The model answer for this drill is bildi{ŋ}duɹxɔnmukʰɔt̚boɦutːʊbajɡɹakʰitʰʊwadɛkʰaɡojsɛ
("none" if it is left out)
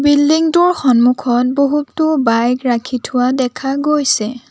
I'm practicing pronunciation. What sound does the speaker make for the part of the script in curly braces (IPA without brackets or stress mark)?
ŋ